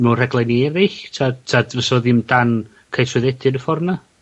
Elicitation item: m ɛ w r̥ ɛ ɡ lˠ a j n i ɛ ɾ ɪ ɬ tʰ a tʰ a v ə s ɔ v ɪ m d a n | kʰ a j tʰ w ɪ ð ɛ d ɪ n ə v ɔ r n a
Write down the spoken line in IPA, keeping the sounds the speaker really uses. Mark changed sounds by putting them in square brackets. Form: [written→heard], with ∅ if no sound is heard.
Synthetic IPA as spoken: m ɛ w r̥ ɛ ɡ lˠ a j n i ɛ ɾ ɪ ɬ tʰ a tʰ a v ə s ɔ [v→ð] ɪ m d a n | kʰ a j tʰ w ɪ ð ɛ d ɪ n ə [v→f] ɔ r n a